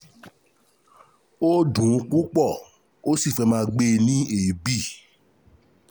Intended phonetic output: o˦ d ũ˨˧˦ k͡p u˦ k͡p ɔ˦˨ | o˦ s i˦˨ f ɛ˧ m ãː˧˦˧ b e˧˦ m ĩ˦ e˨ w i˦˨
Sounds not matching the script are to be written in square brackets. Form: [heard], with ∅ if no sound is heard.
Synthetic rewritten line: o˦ d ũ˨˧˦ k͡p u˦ k͡p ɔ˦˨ | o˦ s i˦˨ f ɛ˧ m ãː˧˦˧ [ɡ͡b] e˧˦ [n] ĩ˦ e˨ [b] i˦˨